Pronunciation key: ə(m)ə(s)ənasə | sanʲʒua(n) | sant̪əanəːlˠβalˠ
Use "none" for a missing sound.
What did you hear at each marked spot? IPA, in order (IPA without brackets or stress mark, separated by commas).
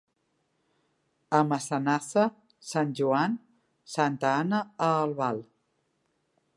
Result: m, s, n